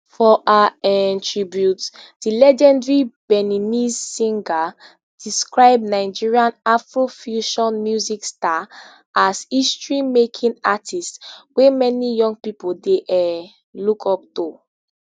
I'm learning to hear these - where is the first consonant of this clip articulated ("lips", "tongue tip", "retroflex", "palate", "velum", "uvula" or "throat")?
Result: lips